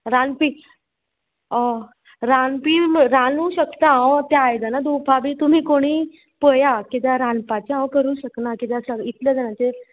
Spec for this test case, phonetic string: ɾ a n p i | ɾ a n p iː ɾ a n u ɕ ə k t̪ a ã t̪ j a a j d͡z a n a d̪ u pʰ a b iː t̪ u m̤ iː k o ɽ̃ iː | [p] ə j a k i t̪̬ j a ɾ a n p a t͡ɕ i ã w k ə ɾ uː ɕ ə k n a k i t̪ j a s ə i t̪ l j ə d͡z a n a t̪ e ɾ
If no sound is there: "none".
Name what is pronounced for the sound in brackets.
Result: p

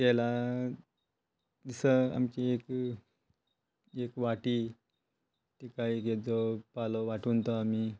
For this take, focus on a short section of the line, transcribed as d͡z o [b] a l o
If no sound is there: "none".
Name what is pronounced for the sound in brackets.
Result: p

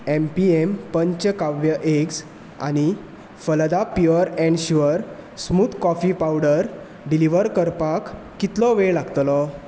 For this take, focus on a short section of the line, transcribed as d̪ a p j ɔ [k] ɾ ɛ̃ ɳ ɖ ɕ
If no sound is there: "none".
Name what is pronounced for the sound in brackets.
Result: none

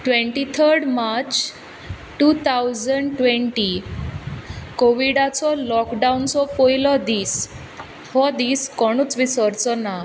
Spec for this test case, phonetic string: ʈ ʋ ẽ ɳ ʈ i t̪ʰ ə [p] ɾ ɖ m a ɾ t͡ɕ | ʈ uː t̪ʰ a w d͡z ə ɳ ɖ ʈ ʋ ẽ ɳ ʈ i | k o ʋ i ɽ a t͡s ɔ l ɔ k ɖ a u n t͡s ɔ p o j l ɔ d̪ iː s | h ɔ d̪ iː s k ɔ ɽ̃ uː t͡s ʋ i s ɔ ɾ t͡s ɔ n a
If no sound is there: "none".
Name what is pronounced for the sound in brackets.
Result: none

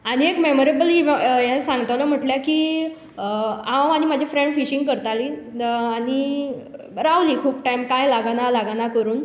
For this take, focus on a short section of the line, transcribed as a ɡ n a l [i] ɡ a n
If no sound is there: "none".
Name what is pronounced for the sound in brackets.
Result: a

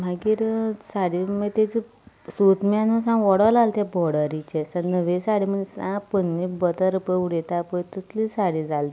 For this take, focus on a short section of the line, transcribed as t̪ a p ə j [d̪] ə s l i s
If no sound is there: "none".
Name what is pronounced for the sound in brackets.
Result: t̪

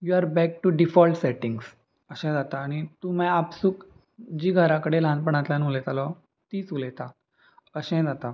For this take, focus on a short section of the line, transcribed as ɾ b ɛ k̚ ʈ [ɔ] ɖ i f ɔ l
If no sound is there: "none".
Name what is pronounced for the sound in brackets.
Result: u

